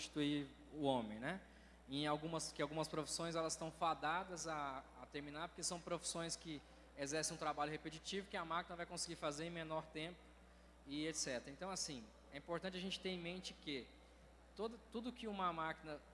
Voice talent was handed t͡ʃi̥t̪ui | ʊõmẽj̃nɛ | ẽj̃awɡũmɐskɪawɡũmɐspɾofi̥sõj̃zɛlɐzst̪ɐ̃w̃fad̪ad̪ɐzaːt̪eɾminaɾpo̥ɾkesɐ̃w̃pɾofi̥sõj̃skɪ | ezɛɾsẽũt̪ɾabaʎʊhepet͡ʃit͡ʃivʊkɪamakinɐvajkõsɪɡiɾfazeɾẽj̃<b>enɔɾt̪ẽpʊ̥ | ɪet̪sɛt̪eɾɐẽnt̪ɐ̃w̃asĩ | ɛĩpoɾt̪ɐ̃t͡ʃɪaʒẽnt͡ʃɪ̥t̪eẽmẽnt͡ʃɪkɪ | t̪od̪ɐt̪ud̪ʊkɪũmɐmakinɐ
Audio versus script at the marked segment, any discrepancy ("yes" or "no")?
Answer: yes